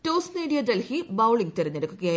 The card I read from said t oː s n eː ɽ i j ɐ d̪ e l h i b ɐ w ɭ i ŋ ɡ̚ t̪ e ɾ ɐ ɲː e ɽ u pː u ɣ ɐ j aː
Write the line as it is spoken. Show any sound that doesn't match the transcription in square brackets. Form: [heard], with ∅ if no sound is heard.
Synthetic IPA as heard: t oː s n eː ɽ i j ɐ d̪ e l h i b ɐ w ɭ i ŋ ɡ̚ t̪ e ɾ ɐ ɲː e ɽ u [kː] u ɣ ɐ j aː